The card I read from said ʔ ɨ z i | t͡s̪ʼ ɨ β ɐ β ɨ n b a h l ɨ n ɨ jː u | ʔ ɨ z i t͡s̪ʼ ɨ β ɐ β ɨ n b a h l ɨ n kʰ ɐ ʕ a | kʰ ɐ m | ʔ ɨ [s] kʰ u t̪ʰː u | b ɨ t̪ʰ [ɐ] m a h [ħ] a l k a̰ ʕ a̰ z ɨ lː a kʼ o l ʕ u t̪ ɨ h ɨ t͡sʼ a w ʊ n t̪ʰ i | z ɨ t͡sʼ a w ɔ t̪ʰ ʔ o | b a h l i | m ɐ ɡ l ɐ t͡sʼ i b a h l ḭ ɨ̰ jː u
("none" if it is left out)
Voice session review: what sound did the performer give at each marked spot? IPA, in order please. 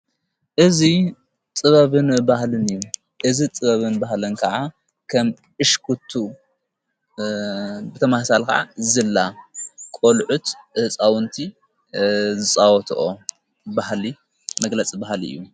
ʃ, ɐ, s

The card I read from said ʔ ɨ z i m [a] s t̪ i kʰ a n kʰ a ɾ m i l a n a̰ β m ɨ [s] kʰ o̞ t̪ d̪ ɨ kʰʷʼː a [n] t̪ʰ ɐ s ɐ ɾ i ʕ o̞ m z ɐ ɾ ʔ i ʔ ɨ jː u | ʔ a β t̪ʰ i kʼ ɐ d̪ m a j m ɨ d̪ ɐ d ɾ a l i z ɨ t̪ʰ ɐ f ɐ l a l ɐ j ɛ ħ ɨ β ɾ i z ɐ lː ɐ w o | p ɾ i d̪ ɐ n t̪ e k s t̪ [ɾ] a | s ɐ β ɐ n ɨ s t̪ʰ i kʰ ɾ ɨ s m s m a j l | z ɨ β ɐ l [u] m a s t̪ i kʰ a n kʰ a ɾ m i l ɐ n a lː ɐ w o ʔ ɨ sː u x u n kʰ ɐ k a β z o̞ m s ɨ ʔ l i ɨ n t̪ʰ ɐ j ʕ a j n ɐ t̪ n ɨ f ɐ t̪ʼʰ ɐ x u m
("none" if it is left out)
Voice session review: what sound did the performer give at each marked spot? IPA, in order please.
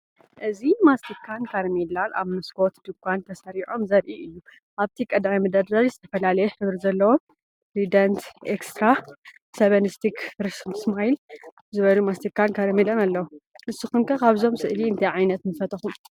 a, s, n, ɾ, u

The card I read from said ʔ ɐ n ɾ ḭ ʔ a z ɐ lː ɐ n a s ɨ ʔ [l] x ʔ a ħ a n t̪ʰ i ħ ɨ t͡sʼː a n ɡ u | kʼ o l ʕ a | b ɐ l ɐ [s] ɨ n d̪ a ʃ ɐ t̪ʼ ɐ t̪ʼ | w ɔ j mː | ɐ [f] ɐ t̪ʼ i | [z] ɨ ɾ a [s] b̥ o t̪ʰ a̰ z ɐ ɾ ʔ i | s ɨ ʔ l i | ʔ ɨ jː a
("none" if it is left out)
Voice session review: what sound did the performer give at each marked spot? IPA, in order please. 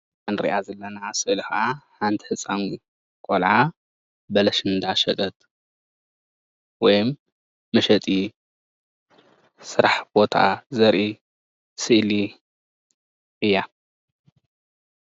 l, ʃ, ʃ, s, ħ

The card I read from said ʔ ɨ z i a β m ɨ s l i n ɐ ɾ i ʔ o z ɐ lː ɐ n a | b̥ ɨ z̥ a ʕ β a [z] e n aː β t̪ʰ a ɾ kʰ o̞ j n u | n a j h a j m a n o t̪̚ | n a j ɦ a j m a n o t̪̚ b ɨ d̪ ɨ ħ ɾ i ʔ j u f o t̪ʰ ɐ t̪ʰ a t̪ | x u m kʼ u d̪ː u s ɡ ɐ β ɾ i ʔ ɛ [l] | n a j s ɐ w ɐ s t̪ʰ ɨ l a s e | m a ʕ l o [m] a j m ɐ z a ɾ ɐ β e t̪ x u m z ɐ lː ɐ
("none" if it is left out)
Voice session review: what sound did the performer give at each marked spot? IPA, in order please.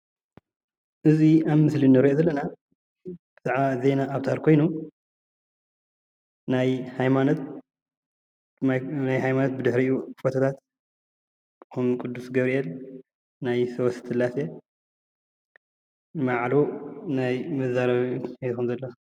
z, l, n

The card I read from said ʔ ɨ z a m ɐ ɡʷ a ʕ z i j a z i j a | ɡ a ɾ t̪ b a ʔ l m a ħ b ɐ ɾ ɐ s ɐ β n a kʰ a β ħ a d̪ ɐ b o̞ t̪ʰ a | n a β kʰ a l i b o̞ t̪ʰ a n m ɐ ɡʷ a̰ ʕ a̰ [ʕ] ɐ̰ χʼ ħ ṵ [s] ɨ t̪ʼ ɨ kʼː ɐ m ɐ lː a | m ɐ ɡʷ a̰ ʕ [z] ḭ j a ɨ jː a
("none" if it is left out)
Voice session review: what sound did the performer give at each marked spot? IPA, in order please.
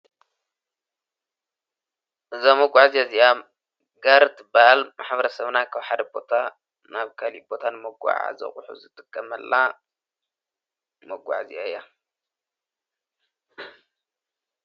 z, z, z

